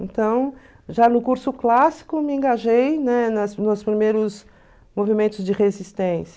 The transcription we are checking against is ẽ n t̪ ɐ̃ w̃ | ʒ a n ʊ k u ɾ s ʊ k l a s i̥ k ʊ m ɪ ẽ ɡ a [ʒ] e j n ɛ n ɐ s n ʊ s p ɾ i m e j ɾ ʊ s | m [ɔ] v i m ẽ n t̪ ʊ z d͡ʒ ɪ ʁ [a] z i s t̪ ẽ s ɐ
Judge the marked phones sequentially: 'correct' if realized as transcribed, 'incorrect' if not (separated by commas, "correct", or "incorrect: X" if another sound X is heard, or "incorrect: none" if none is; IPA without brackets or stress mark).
correct, incorrect: o, incorrect: e